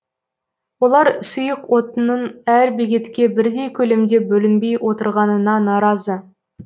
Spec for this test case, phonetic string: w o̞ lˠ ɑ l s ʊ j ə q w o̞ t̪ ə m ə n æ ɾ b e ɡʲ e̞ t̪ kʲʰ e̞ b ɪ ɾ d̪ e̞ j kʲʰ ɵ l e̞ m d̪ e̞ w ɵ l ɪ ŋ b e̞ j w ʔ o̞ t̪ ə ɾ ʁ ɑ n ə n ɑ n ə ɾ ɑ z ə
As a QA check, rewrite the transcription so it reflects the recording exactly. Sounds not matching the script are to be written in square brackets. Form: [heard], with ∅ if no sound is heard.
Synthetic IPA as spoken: w o̞ lˠ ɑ [ɾ] s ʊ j ə q w o̞ t̪ ə [n] ə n æ ɾ b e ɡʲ e̞ t̪ [kʲ] e̞ b ɪ ɾ d̪ e̞ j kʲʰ ɵ l e̞ m d̪ e̞ [b] ɵ l ɪ [n] b e̞ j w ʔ o̞ t̪ ə ɾ ʁ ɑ n ə n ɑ n [ɑ] ɾ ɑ z ə

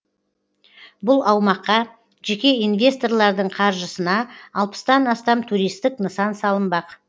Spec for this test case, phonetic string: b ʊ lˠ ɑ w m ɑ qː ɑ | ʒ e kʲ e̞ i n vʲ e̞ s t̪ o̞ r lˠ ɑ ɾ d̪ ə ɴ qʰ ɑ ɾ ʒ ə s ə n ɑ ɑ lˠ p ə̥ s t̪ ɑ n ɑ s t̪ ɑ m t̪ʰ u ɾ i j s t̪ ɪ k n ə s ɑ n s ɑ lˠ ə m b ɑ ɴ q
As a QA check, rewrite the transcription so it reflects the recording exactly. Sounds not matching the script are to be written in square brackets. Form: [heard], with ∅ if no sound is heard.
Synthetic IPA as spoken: b ʊ lˠ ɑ w m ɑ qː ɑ | ʒ e kʲ e̞ i n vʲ e̞ s t̪ o̞ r lˠ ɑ ɾ d̪ ə ɴ qʰ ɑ ɾ ʒ ə s ə n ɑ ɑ lˠ p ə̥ s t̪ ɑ n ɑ s t̪ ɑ m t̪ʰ u ɾ i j s t̪ ɪ k n ə s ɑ n s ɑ lˠ ə m b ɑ [∅] q

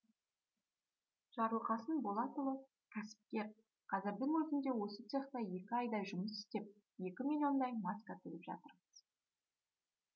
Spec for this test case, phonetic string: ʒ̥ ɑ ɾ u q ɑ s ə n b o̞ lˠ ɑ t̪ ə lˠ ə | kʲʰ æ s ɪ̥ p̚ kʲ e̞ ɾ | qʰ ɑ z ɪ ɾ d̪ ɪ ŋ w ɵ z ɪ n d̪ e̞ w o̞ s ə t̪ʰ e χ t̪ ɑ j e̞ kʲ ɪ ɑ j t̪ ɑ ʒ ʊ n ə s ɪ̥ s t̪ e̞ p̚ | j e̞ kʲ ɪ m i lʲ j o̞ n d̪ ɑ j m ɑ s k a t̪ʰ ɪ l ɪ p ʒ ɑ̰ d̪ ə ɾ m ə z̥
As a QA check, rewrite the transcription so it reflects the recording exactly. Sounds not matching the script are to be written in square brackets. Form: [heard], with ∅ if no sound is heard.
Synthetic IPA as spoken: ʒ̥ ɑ ɾ u q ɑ s ə n b o̞ lˠ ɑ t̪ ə lˠ ə | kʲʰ æ s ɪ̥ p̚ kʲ e̞ ɾ | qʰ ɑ z ɪ ɾ d̪ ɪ ŋ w ɵ z ɪ n d̪ e̞ w o̞ s ə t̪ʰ e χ t̪ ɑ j e̞ kʲ ɪ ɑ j [d̪] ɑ ʒ ʊ [m] ə s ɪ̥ s t̪ e̞ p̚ | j e̞ kʲ ɪ m i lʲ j o̞ n d̪ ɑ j m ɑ s k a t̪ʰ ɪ l ɪ p ʒ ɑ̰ [t̪] ə ɾ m ə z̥

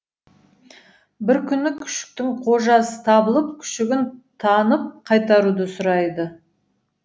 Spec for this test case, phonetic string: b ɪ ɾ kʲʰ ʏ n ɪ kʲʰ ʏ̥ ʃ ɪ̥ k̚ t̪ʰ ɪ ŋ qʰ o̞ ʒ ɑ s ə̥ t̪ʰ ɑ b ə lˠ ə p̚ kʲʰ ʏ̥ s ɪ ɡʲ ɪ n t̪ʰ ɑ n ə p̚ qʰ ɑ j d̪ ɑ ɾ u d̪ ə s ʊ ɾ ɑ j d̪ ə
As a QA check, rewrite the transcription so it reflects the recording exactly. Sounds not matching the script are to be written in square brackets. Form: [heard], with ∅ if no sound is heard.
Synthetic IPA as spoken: b ɪ ɾ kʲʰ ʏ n ɪ kʲʰ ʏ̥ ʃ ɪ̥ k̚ [t̪] ɪ ŋ qʰ o̞ ʒ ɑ s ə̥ t̪ʰ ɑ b ə lˠ ə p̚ kʲʰ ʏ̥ [ʃ] ɪ ɡʲ ɪ n t̪ʰ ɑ n ə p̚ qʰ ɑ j [t̪] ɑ ɾ u d̪ ə s ʊ ɾ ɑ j d̪ ə

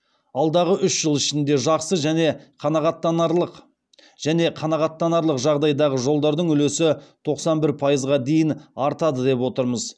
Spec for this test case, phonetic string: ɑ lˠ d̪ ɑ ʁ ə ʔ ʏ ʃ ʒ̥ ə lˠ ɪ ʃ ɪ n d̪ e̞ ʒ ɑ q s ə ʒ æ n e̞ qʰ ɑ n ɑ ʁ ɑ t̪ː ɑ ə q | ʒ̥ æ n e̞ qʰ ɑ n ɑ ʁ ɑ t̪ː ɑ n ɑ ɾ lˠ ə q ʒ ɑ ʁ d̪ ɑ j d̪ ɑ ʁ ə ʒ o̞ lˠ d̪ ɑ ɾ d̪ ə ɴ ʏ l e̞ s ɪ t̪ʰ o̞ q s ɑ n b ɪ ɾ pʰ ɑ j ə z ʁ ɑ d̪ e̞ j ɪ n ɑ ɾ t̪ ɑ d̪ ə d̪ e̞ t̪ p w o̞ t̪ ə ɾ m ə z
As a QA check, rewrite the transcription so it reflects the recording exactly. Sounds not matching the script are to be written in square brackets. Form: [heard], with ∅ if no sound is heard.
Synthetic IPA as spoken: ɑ lˠ d̪ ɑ ʁ ə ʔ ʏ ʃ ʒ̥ ə lˠ ɪ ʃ ɪ n d̪ e̞ ʒ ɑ q s ə ʒ æ n e̞ qʰ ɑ n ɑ ʁ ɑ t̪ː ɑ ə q | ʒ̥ æ n e̞ qʰ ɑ n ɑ ʁ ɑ t̪ː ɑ n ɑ ɾ lˠ ə q ʒ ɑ ʁ d̪ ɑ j d̪ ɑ ʁ ə ʒ o̞ lˠ d̪ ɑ ɾ d̪ ə ɴ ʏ l e̞ s ɪ t̪ʰ o̞ q s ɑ n b ɪ ɾ pʰ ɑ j ə z ʁ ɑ d̪ e̞ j ɪ n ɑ ɾ t̪ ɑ d̪ ə d̪ e̞ [∅] p w o̞ t̪ ə ɾ m ə z

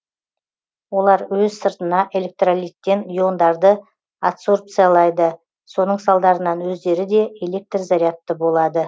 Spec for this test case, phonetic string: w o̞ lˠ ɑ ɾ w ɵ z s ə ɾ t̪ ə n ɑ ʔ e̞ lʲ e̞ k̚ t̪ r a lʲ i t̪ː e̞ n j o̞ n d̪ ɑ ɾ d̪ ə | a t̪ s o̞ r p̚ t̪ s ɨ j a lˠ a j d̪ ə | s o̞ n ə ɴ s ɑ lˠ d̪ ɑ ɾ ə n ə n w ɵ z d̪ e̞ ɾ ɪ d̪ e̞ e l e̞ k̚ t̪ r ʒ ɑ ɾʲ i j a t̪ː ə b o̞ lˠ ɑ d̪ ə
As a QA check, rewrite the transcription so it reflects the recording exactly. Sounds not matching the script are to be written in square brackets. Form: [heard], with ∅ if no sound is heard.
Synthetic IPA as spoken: w o̞ lˠ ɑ ɾ w ɵ z s ə ɾ t̪ ə n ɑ ʔ e̞ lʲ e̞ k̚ t̪ r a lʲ i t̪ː e̞ n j o̞ n d̪ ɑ ɾ d̪ ə | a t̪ s o̞ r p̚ t̪ s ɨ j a lˠ [ɑ] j d̪ ə | s o̞ n ə ɴ s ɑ lˠ d̪ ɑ ɾ ə n [ɑ] n w ɵ z d̪ e̞ ɾ ɪ d̪ e̞ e l e̞ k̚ t̪ r [z] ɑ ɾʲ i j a t̪ː ə b o̞ lˠ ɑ d̪ ə

